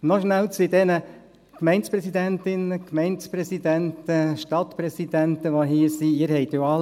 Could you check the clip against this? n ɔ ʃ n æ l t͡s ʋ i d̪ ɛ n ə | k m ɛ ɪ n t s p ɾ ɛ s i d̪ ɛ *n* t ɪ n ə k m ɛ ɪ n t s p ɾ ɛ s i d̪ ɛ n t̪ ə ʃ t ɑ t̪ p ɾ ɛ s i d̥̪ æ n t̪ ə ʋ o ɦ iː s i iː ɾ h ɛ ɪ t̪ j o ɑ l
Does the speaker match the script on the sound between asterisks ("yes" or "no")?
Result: yes